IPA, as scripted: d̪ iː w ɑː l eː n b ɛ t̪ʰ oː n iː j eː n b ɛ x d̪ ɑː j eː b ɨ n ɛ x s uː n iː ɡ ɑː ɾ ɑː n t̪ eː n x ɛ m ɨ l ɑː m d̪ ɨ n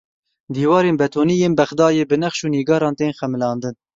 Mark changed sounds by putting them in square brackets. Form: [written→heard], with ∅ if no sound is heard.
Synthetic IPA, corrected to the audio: d̪ iː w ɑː [l→ɾ] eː n b ɛ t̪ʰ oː n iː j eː n b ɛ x d̪ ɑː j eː b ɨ n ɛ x [s→ʃ] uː n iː ɡ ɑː ɾ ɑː n t̪ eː n x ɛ m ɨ l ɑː [m→n] d̪ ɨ n